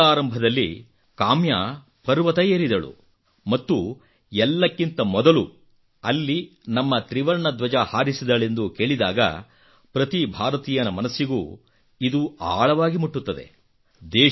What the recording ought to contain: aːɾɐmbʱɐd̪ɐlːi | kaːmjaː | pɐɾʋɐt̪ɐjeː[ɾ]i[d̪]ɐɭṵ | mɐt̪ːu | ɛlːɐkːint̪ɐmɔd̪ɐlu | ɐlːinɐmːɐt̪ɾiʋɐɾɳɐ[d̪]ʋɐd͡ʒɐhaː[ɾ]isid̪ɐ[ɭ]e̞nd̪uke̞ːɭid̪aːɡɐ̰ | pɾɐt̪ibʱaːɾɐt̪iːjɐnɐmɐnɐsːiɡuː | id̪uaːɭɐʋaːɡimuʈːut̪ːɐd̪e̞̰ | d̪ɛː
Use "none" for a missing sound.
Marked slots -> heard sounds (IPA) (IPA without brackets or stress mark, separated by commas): ɾ, d̪, d̪, ɾ, ɭ